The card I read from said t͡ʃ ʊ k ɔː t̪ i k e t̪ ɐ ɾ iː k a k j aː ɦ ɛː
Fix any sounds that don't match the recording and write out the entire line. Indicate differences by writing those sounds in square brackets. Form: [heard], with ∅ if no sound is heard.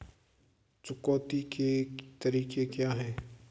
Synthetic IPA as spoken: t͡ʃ ʊ k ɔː t̪ i k e t̪ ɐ ɾ iː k [e] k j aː ɦ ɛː